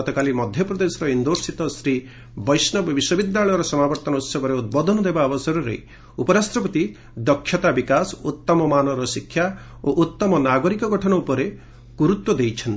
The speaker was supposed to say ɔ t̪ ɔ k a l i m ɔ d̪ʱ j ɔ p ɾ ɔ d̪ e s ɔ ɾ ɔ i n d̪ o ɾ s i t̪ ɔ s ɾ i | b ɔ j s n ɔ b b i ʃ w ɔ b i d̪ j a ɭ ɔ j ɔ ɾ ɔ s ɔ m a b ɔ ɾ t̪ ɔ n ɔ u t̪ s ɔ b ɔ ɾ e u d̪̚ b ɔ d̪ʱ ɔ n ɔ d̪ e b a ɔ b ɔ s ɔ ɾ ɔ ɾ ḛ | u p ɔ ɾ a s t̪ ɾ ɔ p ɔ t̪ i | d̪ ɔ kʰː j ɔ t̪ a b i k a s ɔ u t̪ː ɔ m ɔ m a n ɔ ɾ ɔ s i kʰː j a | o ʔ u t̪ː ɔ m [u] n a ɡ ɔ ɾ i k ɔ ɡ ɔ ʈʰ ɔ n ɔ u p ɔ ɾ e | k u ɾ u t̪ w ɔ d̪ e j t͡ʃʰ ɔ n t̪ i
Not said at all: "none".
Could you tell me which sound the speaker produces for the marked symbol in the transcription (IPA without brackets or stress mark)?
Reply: ɔ